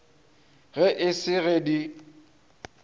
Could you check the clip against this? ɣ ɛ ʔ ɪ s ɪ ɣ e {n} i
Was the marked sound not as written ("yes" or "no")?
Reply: yes